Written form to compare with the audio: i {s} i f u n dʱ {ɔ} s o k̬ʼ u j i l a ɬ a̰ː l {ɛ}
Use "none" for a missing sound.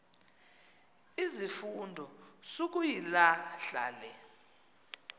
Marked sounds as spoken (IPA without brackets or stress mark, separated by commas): z, ɔ, ɛ